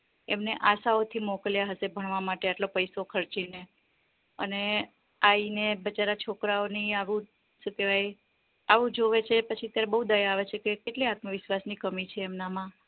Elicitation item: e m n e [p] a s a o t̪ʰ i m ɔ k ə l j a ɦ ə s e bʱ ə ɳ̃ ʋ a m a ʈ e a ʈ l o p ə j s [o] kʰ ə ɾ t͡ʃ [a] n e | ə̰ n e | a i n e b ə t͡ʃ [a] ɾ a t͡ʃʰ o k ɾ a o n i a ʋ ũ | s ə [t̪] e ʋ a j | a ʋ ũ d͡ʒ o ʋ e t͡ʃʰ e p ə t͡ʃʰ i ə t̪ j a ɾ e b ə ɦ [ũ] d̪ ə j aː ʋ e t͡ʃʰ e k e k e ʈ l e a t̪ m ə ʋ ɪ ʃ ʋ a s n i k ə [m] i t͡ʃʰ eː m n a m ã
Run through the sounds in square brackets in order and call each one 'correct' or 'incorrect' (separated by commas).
incorrect, correct, incorrect, correct, correct, incorrect, correct